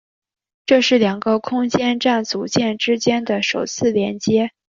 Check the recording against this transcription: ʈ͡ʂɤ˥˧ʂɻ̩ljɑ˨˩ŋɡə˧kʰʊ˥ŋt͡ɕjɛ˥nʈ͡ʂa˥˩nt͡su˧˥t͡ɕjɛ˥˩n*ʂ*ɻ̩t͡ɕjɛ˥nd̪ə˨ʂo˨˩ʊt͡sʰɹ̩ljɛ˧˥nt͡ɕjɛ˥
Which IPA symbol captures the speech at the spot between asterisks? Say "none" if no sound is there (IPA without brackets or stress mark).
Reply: ʈ͡ʂ